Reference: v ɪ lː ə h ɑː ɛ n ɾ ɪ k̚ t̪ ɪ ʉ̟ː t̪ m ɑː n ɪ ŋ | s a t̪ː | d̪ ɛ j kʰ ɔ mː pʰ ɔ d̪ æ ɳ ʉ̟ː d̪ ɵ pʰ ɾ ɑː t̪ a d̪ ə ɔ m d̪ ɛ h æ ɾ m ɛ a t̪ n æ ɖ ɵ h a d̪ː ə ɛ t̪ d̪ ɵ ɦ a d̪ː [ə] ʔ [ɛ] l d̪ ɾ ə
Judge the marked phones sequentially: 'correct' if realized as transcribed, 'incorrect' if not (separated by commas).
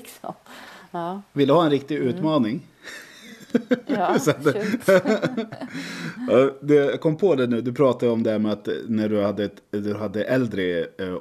correct, correct